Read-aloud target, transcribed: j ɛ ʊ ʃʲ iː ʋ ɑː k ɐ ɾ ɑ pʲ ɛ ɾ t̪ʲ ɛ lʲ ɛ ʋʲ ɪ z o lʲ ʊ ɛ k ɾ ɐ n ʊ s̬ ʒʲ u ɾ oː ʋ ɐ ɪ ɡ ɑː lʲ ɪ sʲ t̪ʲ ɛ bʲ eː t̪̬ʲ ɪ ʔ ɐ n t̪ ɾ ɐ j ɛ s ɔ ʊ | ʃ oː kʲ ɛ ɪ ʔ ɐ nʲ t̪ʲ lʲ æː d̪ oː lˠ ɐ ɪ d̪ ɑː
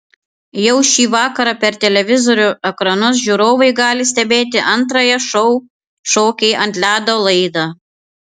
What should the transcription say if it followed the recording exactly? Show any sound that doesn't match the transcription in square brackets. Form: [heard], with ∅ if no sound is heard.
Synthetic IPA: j ɛ ʊ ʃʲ iː ʋ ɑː k ɐ ɾ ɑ pʲ ɛ ɾ t̪ʲ ɛ lʲ ɛ ʋʲ ɪ z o [ɾʲ] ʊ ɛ k ɾ ɐ n ʊ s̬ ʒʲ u ɾ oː ʋ ɐ ɪ ɡ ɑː lʲ ɪ sʲ t̪ʲ ɛ bʲ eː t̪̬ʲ ɪ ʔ ɐ n t̪ ɾ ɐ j ɛ [ʃ] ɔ ʊ | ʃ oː kʲ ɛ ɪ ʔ ɐ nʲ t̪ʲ lʲ æː d̪ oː lˠ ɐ ɪ d̪ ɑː